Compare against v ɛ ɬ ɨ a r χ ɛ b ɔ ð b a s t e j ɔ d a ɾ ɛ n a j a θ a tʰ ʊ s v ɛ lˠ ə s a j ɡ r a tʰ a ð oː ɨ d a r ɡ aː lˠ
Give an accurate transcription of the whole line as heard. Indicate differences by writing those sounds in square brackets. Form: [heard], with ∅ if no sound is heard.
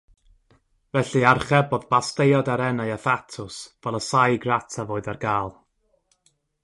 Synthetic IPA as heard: v ɛ ɬ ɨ a r χ ɛ b ɔ ð b a s t e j ɔ d a ɾ ɛ n a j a θ a tʰ ʊ s v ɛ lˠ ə s a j ɡ r a tʰ a [v] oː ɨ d a r ɡ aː lˠ